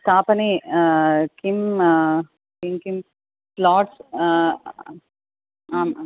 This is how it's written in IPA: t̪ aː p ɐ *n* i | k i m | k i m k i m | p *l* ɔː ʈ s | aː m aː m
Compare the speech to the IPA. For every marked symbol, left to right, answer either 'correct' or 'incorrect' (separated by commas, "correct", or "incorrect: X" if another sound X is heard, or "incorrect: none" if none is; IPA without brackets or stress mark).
correct, correct